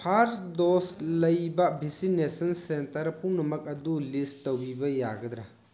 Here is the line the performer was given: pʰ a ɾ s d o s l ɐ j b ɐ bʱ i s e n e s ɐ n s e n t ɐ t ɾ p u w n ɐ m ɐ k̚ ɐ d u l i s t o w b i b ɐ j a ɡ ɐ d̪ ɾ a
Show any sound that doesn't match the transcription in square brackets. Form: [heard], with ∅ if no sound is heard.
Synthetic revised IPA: pʰ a ɾ s d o s l ɐ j b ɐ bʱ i s [i] n e s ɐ n s e n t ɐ [∅] ɾ p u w n ɐ m ɐ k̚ ɐ d u l i s t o w b i b ɐ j a ɡ ɐ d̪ ɾ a